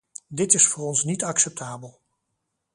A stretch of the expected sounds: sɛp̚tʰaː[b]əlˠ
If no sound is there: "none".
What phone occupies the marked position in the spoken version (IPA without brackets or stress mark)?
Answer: b